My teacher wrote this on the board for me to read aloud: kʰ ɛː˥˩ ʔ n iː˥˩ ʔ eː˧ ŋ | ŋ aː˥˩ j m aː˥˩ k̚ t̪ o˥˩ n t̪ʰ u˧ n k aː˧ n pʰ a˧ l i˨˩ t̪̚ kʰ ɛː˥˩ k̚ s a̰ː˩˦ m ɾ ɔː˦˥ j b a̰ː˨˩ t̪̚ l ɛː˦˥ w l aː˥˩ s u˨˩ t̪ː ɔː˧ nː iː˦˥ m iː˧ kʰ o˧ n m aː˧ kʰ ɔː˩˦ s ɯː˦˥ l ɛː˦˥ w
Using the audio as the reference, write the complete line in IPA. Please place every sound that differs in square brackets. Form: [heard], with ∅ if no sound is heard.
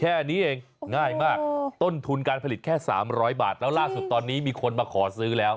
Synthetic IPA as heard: kʰ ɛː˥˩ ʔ n [iː˦˥] ʔ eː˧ ŋ | ŋ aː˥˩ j m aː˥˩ k̚ t̪ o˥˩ n t̪ʰ u˧ n k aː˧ n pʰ a˧ l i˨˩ t̪̚ kʰ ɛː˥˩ [∅] s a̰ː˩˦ m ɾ ɔː˦˥ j b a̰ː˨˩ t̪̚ l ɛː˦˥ w l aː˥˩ s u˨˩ t̪ː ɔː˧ nː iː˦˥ m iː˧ kʰ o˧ n m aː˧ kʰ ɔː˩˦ s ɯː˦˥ l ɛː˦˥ w